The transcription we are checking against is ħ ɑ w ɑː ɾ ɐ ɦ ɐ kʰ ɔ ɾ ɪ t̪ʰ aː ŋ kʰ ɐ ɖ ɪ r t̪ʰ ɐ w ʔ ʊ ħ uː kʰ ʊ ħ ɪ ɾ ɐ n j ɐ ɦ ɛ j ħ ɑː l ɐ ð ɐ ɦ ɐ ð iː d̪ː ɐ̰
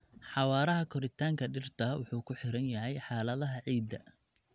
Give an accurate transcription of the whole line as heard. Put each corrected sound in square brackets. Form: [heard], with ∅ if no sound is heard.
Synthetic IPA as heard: ħ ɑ w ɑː ɾ ɐ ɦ ɐ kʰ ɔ ɾ ɪ t̪ʰ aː ŋ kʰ ɐ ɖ ɪ r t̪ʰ ɐ w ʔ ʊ ħ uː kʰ ʊ ħ ɪ ɾ ɐ n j ɐ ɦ ɛ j ħ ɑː l ɐ ð ɐ ɦ ɐ [ʕ] iː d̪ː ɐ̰